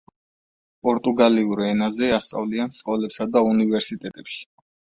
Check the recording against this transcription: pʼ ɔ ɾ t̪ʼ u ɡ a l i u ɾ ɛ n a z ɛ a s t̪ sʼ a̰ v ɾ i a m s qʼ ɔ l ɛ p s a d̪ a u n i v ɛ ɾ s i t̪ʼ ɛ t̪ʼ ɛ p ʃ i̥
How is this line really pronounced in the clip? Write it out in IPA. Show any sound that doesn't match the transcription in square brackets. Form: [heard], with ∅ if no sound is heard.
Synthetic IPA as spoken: pʼ ɔ ɾ t̪ʼ u ɡ a l i u ɾ ɛ n a z ɛ a s t̪ sʼ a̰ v [l] i a [n] s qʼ ɔ l ɛ p s a d̪ a u n i v ɛ ɾ s i t̪ʼ ɛ t̪ʼ ɛ p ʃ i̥